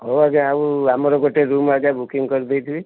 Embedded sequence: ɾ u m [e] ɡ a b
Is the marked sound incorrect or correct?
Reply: incorrect